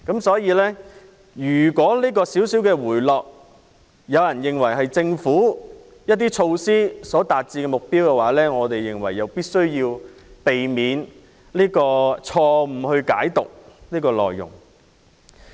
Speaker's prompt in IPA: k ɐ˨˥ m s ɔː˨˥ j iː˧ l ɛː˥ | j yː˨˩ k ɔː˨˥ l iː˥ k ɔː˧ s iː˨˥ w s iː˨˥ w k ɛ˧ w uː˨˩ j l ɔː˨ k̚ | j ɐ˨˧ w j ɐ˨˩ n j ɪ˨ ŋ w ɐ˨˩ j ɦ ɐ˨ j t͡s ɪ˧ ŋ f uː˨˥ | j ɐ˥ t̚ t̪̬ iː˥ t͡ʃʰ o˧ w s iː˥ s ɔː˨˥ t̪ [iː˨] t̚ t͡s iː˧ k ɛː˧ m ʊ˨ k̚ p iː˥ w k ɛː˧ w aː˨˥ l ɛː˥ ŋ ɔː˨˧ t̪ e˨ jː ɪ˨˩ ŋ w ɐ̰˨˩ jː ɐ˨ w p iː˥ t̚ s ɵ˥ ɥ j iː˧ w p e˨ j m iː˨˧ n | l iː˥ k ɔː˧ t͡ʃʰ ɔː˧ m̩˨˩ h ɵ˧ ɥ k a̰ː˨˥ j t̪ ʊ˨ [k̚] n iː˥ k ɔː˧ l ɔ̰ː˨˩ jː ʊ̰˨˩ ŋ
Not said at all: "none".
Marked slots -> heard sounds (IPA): aː˨, k̚

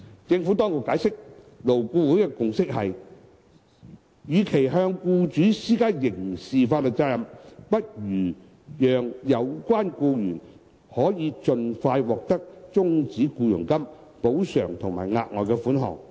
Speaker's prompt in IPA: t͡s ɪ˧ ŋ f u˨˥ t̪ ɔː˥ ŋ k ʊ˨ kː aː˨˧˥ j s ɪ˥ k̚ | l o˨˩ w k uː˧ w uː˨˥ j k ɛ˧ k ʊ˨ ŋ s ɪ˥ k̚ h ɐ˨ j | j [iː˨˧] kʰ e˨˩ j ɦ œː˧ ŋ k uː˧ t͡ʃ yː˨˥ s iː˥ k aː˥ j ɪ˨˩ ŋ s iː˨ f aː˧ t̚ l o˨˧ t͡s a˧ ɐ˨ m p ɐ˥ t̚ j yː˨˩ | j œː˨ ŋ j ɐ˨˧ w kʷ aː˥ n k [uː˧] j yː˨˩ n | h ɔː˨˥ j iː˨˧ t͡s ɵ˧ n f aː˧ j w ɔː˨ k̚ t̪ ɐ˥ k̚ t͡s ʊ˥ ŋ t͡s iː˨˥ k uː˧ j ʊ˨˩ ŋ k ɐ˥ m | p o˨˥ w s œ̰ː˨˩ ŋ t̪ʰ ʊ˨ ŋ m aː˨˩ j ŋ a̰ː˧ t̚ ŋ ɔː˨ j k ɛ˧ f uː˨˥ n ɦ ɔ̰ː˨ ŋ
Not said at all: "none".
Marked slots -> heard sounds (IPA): yː˨˧, uː˧

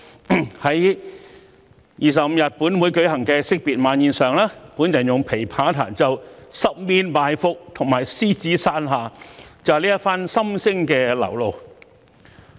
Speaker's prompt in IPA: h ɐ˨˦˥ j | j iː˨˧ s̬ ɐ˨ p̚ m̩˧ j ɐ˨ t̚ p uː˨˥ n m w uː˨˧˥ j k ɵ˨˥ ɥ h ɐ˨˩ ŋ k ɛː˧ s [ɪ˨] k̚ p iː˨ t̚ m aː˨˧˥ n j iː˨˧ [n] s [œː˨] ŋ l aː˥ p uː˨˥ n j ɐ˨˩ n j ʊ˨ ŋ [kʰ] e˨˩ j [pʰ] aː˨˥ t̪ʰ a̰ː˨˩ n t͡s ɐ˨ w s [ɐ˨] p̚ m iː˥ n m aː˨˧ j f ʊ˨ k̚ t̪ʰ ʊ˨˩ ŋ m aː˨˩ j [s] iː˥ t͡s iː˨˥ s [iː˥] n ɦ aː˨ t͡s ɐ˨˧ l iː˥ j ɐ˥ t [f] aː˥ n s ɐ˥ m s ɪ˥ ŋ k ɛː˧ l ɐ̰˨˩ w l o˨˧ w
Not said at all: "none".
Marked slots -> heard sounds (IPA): ɪ˥, n, œː˨, pʰ, pʰ, ɐ˥, s, aː˥, f

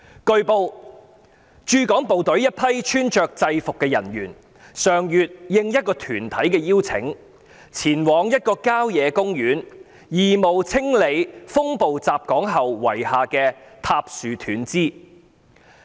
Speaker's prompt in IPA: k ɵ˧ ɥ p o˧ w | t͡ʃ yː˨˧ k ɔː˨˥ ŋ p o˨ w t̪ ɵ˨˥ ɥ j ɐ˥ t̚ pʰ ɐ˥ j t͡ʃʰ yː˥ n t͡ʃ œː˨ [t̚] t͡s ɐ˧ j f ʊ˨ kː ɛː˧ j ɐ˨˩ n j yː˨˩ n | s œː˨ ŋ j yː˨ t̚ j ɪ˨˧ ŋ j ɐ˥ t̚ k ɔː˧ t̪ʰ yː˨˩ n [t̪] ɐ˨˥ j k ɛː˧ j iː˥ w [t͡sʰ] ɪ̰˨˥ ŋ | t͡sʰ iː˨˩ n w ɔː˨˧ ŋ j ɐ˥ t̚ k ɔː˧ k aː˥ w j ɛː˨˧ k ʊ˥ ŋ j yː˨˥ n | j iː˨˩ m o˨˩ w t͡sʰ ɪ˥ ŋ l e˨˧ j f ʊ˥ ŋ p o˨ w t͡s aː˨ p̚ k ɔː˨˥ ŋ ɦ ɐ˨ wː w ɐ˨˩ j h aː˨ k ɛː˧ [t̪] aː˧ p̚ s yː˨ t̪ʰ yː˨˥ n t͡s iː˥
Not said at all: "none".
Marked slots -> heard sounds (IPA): k̚, t̪ʰ, t͡sʰ, t̪ʰ

